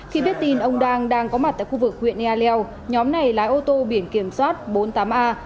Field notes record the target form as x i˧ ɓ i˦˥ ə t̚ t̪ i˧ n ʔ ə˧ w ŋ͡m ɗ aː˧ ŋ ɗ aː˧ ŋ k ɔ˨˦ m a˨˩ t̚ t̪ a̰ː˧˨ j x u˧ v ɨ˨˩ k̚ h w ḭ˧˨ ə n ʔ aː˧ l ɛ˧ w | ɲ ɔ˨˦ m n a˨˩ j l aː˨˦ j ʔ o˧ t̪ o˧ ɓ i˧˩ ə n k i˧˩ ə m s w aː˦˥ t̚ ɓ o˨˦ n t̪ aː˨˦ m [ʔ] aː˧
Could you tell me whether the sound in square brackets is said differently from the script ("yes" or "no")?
no